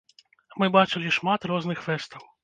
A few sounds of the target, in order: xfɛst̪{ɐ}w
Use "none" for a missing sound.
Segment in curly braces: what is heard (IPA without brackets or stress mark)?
ɐ